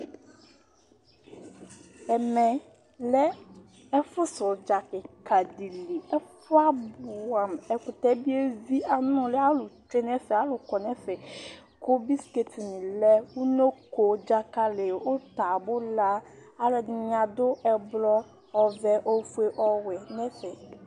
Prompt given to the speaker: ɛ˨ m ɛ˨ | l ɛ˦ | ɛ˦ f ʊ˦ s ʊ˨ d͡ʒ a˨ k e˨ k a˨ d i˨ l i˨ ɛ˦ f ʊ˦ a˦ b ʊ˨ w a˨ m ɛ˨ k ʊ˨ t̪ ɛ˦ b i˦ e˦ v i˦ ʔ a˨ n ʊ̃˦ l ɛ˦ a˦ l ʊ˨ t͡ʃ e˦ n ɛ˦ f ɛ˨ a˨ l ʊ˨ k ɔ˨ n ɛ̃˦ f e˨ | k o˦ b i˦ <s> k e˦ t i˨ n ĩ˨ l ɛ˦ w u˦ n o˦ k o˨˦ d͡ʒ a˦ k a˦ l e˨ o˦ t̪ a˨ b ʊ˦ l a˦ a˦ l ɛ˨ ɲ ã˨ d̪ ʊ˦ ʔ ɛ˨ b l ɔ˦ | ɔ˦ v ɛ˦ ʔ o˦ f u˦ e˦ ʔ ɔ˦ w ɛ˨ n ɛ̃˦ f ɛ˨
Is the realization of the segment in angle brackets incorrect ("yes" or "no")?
no